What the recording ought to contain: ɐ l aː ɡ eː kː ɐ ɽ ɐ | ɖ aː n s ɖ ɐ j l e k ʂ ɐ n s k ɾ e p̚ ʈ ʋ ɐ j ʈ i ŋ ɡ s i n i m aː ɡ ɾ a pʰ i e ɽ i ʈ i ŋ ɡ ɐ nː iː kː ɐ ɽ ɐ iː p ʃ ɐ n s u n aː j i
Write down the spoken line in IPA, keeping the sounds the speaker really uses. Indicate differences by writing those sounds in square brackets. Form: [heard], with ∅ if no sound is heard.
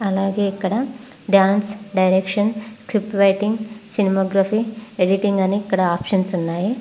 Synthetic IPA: ɐ l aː ɡ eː kː ɐ ɽ ɐ | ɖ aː n s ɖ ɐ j [ɾ] e k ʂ ɐ n s k ɾ [i] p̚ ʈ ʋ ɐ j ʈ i ŋ ɡ s i n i m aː ɡ ɾ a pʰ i e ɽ i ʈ i ŋ ɡ ɐ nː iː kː ɐ ɽ ɐ [aː] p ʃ ɐ n s u [nː] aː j i